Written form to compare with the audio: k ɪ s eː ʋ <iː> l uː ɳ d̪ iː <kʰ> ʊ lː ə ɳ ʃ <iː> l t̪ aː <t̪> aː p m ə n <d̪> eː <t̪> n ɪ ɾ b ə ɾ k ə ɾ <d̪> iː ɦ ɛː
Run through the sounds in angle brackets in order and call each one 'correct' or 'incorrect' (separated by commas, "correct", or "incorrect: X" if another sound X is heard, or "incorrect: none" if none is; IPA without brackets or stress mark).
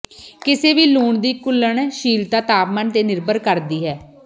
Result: correct, incorrect: k, correct, correct, incorrect: t̪, incorrect: none, correct